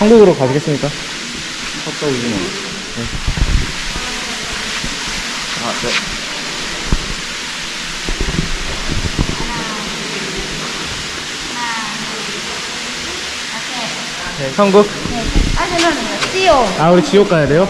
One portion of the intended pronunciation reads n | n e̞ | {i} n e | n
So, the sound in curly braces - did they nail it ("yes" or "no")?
no